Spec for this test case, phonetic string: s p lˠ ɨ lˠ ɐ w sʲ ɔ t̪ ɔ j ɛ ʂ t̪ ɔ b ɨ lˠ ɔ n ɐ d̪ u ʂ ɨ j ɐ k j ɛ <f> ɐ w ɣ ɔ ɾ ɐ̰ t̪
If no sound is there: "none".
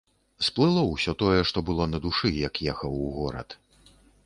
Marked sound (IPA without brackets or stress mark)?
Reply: x